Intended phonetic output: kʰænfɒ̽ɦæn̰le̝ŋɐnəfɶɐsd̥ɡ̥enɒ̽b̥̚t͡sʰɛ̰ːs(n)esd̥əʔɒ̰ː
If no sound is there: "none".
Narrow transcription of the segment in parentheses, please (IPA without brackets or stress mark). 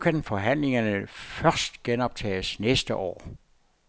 n